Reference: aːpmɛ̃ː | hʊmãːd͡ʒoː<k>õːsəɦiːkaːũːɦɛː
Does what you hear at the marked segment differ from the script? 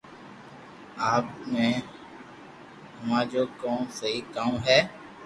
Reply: no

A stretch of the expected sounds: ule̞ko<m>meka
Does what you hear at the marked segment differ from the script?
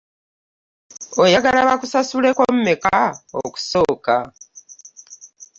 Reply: no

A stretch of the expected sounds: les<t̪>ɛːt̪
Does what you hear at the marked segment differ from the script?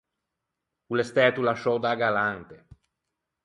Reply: no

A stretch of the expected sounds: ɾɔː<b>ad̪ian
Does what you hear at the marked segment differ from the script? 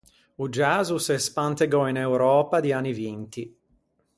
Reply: yes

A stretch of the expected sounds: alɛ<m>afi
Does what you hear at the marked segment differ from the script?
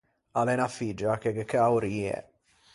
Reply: yes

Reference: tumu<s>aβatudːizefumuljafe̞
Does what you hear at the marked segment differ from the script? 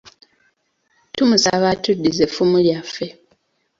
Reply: no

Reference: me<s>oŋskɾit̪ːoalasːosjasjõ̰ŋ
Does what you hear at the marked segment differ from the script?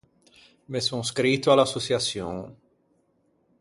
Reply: no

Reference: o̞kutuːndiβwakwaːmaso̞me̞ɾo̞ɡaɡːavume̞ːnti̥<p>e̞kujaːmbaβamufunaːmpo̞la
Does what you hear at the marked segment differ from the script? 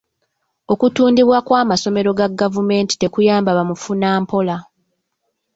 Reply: yes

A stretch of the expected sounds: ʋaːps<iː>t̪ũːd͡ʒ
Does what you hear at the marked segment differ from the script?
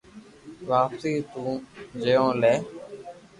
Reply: no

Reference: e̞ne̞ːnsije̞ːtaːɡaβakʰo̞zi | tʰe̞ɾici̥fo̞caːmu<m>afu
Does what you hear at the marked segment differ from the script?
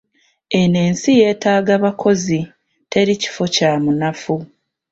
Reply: yes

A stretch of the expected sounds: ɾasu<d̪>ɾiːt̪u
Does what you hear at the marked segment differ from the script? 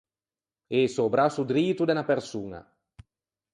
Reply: no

